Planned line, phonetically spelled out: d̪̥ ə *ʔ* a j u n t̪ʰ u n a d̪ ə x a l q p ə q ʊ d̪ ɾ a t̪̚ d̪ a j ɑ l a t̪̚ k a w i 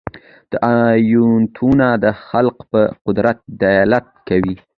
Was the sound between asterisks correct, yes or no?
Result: yes